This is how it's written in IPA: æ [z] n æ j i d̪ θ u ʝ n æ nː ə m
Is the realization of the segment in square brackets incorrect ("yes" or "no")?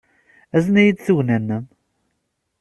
no